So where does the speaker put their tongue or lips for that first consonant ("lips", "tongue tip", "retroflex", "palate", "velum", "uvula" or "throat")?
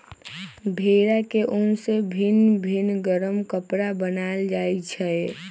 lips